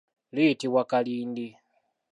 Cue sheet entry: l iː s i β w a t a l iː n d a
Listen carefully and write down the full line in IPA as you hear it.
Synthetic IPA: l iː t i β w a k a l iː n d i